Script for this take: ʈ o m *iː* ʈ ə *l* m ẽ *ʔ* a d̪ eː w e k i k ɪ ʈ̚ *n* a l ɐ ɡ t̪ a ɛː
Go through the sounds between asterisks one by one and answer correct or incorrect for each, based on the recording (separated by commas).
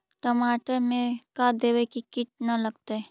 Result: incorrect, incorrect, incorrect, correct